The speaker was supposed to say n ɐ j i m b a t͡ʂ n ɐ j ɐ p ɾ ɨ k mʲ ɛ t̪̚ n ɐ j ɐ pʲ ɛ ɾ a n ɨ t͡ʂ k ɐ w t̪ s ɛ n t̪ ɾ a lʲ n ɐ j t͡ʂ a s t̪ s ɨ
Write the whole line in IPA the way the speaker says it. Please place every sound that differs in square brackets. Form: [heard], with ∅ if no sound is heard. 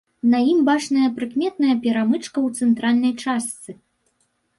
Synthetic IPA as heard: n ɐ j i m b a t͡ʂ n ɐ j ɐ p ɾ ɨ k mʲ ɛ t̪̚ n ɐ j ɐ pʲ ɛ ɾ a [m] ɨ t͡ʂ k ɐ w t̪ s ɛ n t̪ ɾ a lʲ n ɐ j t͡ʂ a s t̪ s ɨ